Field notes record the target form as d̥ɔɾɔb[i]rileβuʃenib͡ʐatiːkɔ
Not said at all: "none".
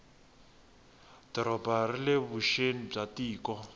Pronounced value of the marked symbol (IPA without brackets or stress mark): a